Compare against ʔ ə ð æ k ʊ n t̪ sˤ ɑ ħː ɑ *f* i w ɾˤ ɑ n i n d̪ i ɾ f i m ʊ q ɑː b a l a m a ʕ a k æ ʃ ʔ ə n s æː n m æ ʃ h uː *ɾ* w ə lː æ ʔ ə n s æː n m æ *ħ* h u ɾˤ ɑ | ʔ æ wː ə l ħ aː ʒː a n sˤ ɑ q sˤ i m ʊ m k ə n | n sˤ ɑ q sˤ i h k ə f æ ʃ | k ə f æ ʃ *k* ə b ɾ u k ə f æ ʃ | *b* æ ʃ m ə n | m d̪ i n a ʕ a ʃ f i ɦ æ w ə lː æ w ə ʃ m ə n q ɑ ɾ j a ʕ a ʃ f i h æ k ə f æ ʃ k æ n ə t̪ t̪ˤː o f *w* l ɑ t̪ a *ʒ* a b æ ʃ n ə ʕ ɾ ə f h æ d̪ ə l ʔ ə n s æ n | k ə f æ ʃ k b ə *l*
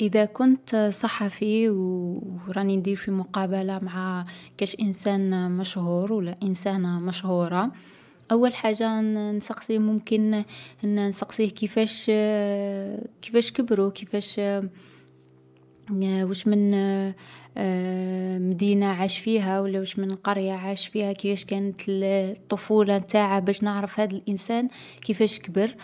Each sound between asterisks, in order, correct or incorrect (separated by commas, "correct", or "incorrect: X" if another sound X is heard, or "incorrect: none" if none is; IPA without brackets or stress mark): correct, correct, incorrect: ʃ, correct, incorrect: w, incorrect: u, incorrect: ʕ, incorrect: ɾ